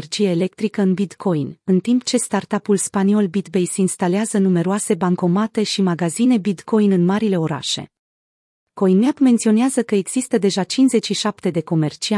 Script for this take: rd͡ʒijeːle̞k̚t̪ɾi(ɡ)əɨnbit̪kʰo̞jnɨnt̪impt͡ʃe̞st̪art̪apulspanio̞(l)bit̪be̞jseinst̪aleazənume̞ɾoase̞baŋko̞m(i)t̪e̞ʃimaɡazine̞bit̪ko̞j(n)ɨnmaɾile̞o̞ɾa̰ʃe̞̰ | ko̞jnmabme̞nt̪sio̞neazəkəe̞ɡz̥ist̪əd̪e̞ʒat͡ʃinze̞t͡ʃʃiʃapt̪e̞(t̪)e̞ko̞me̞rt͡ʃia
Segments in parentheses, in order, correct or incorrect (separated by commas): incorrect, correct, incorrect, correct, incorrect